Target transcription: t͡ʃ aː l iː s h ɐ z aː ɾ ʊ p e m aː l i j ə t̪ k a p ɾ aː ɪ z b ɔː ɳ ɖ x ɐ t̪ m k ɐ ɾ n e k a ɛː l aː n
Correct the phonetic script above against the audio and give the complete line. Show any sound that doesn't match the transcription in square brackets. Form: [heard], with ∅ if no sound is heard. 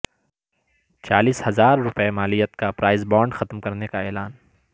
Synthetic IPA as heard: t͡ʃ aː l iː s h ɐ z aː [ɾː] ʊ p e m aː l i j ə t̪ k a p ɾ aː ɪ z b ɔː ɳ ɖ x ɐ t̪ m k ɐ ɾ n e k a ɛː l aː n